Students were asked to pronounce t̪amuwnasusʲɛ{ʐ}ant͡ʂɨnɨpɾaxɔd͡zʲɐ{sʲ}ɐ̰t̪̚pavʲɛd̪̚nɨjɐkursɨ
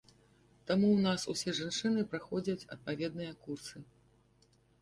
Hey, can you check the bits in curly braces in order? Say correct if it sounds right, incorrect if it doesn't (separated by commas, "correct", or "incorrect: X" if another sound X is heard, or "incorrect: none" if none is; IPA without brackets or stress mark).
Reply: correct, incorrect: t͡sʲ